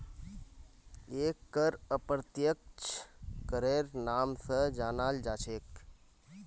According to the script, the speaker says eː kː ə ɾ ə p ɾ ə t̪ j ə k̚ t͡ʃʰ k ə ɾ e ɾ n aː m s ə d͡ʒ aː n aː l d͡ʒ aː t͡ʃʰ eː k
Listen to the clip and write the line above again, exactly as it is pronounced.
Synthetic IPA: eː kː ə ɾ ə p ɾ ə t̪ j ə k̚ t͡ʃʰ k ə ɾ e ɾ n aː m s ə d͡ʒ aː n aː l d͡ʒ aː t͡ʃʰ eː k